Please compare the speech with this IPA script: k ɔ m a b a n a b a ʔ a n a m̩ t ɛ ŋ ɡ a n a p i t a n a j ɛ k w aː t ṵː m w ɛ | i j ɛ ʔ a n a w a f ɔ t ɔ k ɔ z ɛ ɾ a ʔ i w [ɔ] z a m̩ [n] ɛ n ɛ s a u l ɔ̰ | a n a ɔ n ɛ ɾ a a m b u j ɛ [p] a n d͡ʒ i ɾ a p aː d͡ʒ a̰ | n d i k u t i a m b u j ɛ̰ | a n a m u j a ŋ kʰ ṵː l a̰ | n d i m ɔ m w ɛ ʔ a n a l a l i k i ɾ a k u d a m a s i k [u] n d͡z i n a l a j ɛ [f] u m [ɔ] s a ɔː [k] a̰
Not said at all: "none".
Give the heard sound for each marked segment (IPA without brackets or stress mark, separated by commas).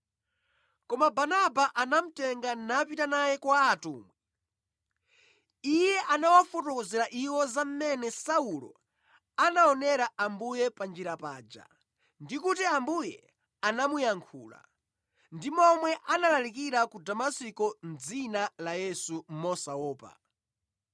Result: ɔ, m, p, ɔ, s, ɔ, p